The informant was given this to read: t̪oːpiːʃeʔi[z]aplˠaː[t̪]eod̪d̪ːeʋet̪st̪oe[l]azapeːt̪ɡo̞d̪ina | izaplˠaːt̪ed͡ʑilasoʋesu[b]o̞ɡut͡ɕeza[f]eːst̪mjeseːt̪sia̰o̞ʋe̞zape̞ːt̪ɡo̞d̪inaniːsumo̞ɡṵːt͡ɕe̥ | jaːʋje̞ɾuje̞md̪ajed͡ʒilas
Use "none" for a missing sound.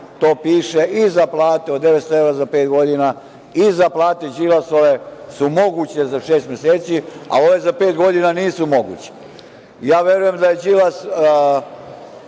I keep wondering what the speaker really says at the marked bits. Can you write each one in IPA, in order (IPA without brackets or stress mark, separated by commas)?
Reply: z, t̪, ɾ, m, ʃ